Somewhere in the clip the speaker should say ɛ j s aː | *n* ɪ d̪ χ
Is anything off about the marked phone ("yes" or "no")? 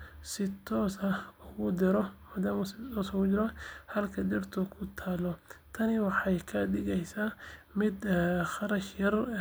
yes